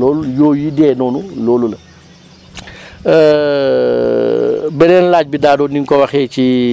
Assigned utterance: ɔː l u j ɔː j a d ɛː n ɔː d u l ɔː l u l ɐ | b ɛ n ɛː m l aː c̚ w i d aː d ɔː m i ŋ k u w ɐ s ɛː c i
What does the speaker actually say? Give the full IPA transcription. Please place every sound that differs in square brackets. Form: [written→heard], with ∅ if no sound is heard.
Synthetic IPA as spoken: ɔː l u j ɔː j [a→i] d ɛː n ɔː [d→n] u l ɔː l u l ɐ | b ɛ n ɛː [m→n] l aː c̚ [w→b] i d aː d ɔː [m→n] i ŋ k [u→ɔ] w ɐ [s→x] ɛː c i